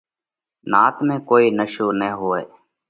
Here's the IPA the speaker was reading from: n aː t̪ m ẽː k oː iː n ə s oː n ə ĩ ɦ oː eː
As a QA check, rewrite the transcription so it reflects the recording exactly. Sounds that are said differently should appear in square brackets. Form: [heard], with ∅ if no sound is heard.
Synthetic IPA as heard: n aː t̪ m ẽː k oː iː n ə [ʃ] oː n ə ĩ ɦ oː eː